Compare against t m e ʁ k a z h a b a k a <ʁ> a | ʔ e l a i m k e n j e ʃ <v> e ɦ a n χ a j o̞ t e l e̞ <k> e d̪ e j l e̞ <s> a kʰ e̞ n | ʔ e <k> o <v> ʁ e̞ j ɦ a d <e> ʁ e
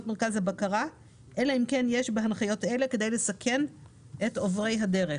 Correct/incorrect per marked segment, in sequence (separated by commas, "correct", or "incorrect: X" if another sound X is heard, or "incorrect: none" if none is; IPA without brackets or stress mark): correct, incorrect: b, correct, correct, incorrect: t, correct, correct